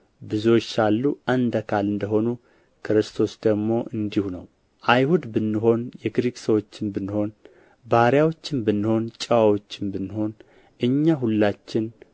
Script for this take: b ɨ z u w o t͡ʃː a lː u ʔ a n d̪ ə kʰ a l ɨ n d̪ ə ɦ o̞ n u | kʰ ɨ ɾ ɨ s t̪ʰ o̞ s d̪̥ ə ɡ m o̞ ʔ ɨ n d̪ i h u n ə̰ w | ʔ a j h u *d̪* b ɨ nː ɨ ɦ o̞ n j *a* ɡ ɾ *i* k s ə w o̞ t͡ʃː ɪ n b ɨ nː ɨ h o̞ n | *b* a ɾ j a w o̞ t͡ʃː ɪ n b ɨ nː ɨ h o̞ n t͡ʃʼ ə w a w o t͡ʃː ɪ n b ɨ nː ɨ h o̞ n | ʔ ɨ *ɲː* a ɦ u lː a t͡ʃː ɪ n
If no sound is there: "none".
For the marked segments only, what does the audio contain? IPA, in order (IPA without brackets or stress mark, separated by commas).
d̪, ɛ, i, b, ɲː